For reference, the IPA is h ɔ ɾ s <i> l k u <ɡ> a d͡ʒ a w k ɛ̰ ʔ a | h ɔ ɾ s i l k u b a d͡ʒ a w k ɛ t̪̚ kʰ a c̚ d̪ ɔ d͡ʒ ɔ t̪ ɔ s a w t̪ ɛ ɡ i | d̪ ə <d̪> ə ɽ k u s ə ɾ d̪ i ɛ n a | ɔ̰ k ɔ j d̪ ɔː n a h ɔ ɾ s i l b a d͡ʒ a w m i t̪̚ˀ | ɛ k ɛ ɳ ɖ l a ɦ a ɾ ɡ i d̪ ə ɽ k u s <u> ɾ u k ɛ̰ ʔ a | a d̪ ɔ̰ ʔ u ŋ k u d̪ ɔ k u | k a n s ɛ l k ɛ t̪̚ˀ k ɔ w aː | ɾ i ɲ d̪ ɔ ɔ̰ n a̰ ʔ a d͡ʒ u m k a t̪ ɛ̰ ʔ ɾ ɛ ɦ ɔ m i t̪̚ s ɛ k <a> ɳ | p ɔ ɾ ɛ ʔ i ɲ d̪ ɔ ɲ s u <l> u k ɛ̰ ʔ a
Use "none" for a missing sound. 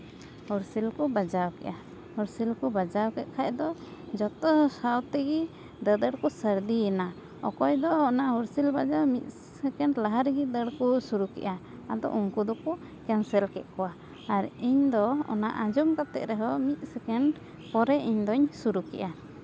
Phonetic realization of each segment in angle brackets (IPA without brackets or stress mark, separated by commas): i, b, d̪, u, ɛ, ɾ